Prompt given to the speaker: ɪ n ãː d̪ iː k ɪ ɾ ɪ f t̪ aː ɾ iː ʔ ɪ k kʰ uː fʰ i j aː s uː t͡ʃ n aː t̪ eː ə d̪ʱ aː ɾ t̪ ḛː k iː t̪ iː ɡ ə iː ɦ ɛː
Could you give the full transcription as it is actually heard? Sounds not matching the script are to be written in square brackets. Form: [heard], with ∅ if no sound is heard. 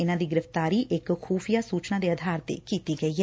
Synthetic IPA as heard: ɪ n ãː d̪ iː [ɡ] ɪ ɾ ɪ f t̪ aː ɾ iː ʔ ɪ k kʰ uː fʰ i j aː s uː t͡ʃ n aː [d̪] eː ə d̪ʱ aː ɾ t̪ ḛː k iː t̪ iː ɡ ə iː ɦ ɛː